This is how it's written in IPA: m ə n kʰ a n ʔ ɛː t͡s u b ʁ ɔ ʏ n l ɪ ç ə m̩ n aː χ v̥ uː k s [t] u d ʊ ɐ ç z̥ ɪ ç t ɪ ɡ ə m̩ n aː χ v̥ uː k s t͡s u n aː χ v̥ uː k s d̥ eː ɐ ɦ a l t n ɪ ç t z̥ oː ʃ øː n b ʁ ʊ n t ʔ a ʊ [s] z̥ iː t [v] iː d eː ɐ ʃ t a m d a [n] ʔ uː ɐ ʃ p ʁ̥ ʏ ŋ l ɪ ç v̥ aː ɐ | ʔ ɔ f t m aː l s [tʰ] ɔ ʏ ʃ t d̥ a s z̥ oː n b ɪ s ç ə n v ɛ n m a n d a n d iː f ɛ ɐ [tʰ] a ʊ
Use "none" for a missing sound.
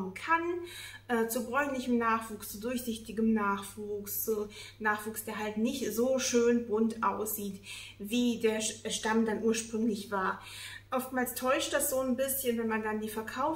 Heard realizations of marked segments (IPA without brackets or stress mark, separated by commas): t͡s, s, v, n, tʰ, kʰ